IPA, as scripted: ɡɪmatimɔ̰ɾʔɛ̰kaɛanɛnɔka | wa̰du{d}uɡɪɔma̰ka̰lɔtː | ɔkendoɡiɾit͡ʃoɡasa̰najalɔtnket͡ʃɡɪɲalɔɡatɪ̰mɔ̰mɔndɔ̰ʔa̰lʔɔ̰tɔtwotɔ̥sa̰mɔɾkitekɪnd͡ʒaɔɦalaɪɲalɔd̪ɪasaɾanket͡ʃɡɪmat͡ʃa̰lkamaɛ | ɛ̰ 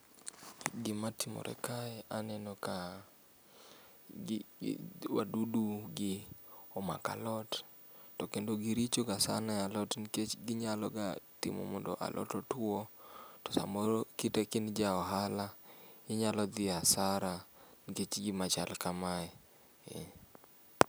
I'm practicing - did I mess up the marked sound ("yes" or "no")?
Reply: no